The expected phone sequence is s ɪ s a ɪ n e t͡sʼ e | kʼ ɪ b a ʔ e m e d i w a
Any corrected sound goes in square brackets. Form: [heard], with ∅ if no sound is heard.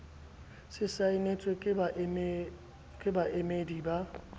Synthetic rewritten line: s ɪ s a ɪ n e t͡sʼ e | kʼ ɪ b a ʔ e m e d i [b] a